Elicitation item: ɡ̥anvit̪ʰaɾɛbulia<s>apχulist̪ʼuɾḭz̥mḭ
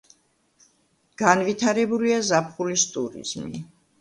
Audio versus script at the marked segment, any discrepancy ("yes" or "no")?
yes